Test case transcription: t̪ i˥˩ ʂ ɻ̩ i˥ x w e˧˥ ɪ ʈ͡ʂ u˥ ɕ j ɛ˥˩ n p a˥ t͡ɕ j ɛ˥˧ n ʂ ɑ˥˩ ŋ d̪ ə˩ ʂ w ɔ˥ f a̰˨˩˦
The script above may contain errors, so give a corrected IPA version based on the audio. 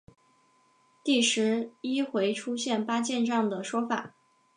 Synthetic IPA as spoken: t̪ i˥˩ ʂ ɻ̩ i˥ x w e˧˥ ɪ ʈ͡ʂʰ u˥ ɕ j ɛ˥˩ n p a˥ t͡ɕ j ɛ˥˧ n ʈ͡ʂ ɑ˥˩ ŋ d̪ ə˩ ʂ w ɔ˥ f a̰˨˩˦